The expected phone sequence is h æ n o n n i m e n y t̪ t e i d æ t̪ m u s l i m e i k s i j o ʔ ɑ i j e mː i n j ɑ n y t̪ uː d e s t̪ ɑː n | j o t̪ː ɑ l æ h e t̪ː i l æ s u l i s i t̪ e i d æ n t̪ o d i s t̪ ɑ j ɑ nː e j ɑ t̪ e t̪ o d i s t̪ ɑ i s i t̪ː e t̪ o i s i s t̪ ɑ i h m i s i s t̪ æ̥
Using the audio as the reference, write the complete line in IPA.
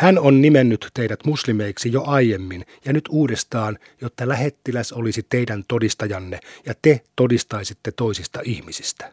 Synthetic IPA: h æ n o n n i m e nː y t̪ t e i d æ t̪ m u s l i m e i k s i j o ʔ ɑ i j e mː i n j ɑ n y t̪ uː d e s t̪ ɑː n | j o t̪ː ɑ l æ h e t̪ː i l æ s o l i s i t̪ e i d æ n t̪ o d i s t̪ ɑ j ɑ nː e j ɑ t̪ e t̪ o d i s t̪ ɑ i s i t̪ː e t̪ o i s i s t̪ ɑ i h m i s i s t̪ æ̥